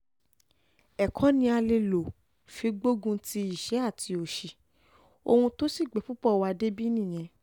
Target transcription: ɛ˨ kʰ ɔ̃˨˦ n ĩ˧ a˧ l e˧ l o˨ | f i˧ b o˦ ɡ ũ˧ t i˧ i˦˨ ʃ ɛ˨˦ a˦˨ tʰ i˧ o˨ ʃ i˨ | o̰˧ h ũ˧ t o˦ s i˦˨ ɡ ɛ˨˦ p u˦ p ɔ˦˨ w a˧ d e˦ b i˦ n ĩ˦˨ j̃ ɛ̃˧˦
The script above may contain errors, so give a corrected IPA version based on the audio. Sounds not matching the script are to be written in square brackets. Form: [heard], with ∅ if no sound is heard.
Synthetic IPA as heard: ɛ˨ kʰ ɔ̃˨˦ n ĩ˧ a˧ l e˧ l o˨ | f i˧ [ɡ͡b] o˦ ɡ ũ˧ t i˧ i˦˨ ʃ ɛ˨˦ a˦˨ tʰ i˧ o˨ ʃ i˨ | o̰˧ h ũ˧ t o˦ s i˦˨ [ɡ͡b] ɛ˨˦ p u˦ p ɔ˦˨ w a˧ d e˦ b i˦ n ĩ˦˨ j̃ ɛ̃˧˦